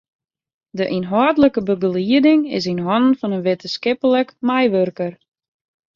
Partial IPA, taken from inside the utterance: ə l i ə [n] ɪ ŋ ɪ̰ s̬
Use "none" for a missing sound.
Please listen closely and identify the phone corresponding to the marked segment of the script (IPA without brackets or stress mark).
d